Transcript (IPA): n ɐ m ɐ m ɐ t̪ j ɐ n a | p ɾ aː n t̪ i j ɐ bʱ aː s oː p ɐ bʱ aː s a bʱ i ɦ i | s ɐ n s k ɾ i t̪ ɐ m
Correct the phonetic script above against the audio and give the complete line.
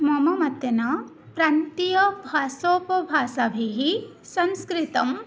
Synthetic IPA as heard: m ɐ m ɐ m ɐ t̪ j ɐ n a | p ɾ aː n t̪ i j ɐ bʱ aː s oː p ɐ bʱ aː s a bʱ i ɦ i | s ɐ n s k ɾ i t̪ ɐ m